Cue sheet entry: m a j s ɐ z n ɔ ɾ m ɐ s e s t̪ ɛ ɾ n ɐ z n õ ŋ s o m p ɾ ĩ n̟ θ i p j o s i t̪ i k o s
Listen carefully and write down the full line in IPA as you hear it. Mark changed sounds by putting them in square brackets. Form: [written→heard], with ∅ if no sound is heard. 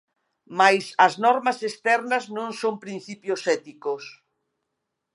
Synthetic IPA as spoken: m a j s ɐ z n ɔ ɾ m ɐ s e s t̪ ɛ ɾ n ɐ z n õ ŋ s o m p ɾ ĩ n̟ θ i p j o s [i→ɛ] t̪ i k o s